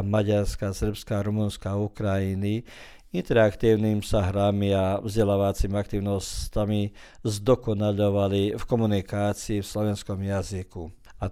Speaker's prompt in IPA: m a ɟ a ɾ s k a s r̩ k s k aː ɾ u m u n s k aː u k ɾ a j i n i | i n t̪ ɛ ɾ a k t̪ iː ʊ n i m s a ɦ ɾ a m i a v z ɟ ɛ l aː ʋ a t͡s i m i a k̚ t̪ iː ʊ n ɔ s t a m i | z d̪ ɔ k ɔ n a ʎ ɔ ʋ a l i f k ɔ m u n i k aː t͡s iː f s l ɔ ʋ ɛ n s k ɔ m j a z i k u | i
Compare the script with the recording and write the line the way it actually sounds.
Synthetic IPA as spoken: m a ɟ a ɾ s k a s r̩ p s k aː ɾ u m u n s k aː u k ɾ a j i n i | i n t̪ ɛ ɾ a k t̪ iː ʊ n i m s a ɦ ɾ a m i a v z ɟ ɛ l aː ʋ a t͡s i m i a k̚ t̪ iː ʊ n ɔ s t a m i | z d̪ ɔ k ɔ n a ʎ ɔ ʋ a l i f k ɔ m u n i k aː t͡s iː f s l ɔ ʋ ɛ n s k ɔ m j a z i k u | a